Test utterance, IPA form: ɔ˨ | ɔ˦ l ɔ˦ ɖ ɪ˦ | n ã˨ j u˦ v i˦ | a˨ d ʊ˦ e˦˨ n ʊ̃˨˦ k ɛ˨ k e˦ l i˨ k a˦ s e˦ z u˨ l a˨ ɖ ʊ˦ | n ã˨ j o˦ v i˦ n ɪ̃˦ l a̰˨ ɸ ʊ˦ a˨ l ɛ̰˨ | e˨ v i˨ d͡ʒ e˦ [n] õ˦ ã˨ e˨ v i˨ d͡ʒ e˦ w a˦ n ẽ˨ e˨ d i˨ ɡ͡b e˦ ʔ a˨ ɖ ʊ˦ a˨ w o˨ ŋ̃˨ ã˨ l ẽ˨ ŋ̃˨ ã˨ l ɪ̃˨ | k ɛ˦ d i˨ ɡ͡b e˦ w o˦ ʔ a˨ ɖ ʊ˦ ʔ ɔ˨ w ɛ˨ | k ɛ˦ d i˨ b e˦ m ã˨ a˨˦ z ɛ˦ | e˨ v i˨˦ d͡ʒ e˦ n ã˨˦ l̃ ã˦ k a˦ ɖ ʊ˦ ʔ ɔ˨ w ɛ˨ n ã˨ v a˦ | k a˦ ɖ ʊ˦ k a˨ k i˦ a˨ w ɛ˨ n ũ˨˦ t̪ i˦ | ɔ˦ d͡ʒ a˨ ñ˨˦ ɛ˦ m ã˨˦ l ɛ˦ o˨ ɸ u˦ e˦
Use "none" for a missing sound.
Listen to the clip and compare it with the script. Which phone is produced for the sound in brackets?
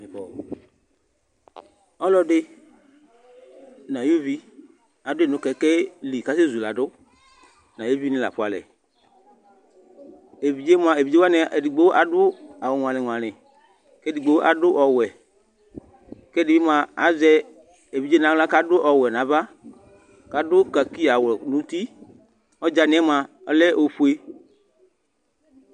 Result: m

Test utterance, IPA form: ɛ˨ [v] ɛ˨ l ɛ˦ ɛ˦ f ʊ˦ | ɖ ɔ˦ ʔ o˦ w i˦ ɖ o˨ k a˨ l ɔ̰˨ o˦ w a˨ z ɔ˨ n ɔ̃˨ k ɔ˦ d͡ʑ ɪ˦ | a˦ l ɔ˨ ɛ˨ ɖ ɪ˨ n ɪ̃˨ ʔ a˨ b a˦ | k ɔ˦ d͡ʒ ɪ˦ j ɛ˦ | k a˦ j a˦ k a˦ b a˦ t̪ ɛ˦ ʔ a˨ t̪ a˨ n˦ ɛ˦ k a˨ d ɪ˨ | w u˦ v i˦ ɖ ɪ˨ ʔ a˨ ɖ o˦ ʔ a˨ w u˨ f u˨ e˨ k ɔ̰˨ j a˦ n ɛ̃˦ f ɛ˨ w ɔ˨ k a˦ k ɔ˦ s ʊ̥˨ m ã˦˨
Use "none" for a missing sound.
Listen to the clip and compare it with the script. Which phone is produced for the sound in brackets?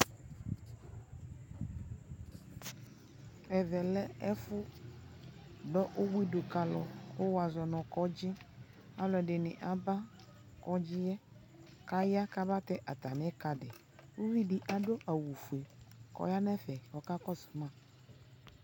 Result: v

